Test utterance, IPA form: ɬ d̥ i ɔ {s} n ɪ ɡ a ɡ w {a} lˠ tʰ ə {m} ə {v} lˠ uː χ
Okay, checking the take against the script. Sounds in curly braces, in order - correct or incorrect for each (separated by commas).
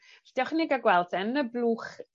incorrect, incorrect, incorrect, incorrect